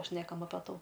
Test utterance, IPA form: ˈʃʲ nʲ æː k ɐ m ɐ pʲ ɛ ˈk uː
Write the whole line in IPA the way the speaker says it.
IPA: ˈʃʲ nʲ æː k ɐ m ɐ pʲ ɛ ˈt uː

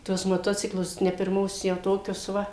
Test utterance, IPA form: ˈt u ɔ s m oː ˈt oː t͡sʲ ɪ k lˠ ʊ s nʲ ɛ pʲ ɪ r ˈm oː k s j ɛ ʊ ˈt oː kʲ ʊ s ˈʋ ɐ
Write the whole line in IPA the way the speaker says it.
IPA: ˈt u ɔ s m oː ˈt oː t͡sʲ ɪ k lˠ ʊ s nʲ ɛ pʲ ɪ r ˈm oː s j ɛ ʊ ˈt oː kʲ ʊ s ˈʋ ɐ

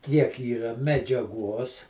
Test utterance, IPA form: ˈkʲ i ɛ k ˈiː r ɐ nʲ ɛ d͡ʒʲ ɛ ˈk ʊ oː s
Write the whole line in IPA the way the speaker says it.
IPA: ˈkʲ i ɛ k ˈiː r ɐ mʲ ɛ d͡ʒʲ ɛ ˈɡ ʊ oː s

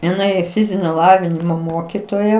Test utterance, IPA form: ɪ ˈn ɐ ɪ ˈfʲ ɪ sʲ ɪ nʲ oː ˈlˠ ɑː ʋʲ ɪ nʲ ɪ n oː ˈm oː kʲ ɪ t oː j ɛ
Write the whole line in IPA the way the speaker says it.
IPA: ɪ ˈn ɐ ɪ ˈfʲ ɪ zʲ ɪ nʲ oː ˈlˠ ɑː ʋʲ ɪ nʲ ɪ m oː ˈm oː kʲ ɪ t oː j ɛ

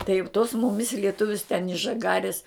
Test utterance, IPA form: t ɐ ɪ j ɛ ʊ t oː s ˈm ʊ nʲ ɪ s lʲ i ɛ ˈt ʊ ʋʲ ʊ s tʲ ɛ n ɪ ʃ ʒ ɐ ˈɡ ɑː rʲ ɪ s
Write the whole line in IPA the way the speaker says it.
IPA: t ɐ ɪ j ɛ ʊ t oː s ˈm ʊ mʲ ɪ s lʲ i ɛ ˈt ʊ ʋʲ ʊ s tʲ ɛ n ɪ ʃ ʒ ɐ ˈɡ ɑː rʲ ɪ s

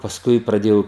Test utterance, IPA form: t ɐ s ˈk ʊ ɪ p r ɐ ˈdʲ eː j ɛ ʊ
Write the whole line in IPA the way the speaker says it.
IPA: p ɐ s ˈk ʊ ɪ p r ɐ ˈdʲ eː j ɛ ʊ

